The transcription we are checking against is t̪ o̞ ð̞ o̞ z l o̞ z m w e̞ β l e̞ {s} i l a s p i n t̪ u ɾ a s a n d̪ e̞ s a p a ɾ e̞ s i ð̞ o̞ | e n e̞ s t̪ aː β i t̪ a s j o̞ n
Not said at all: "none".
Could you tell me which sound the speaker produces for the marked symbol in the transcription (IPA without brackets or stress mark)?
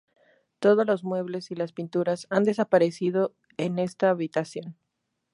s